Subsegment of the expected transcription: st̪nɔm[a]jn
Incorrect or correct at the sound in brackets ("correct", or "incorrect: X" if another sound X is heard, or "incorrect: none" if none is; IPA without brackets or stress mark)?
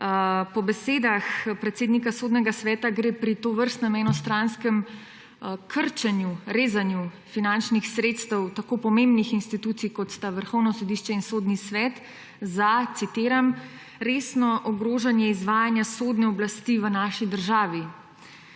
incorrect: ɛ